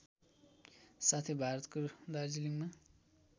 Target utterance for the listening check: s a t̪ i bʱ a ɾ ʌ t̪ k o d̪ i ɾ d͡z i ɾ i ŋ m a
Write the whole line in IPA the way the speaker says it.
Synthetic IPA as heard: s a t̪ʰ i bʱ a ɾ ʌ t̪ k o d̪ a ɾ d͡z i l i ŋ m a